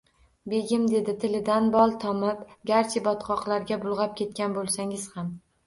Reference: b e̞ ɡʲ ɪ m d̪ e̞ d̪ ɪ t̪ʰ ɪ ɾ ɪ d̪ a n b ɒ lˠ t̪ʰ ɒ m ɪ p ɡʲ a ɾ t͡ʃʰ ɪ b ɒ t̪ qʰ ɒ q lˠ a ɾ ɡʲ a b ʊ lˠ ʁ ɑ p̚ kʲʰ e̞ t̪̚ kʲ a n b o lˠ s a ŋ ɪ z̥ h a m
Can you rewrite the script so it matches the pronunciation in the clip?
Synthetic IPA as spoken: b e̞ ɡʲ ɪ m d̪ e̞ d̪ ɪ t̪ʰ ɪ l ɪ d̪ a n b ɒ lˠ t̪ʰ ɒ m ɪ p ɡʲ a ɾ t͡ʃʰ ɪ b ɒ t̪ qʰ ɒ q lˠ a ɾ ɡʲ a b ʊ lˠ ʁ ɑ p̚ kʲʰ e̞ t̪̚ kʲ a n b o lˠ s a ŋ ɪ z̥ h a m